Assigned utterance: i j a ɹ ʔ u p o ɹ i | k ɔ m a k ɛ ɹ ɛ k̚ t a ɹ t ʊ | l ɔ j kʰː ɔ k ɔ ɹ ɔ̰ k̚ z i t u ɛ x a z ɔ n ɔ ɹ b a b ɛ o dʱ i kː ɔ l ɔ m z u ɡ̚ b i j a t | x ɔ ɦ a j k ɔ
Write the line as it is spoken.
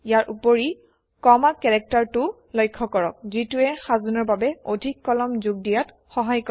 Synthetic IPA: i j a ɹ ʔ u p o ɹ i | k ɔ m a k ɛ ɹ ɛ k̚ t a ɹ t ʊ | l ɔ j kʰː ɔ k ɔ ɹ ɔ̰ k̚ z i t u ɛ x a z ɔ n ɔ ɹ b a b ɛ o dʱ i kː ɔ l ɔ m z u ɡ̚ d i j a t | x ɔ ɦ a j k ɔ